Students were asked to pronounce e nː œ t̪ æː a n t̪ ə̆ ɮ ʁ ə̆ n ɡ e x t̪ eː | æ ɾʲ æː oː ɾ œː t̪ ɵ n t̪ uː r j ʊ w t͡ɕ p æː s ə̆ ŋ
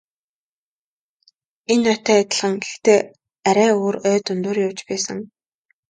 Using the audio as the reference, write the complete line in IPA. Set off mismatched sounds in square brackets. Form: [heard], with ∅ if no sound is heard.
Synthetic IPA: e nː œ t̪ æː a [∅] t̪ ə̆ ɮ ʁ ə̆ [ŋ] ɡ e x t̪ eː | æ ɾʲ æː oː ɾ œː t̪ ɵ n t̪ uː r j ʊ w t͡ɕ p æː s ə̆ ŋ